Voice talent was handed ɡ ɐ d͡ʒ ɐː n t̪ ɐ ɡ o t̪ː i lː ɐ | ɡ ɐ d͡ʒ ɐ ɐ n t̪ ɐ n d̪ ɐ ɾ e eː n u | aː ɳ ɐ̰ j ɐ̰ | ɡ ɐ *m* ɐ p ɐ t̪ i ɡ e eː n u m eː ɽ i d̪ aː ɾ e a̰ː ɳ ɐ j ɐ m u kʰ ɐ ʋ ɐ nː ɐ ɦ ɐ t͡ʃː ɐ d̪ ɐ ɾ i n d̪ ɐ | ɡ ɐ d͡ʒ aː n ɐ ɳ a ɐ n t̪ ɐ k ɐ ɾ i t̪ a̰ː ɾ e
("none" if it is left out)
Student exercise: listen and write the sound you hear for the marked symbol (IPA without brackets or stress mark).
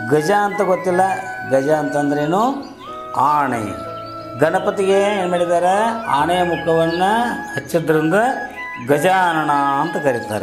n